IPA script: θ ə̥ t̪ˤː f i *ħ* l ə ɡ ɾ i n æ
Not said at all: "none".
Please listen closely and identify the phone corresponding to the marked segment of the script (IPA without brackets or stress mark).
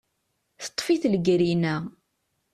θ